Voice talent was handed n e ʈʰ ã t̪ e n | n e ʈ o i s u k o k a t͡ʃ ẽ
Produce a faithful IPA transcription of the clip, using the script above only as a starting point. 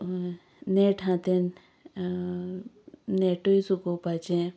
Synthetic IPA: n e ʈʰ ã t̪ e n | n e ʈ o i s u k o p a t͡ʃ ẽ